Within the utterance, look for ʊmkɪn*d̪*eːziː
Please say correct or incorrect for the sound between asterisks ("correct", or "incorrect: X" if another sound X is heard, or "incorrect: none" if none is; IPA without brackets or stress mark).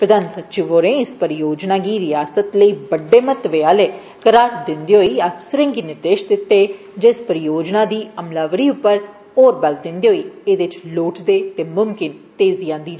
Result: incorrect: t̪